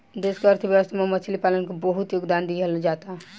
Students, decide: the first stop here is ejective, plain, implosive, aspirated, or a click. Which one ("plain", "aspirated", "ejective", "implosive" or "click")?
plain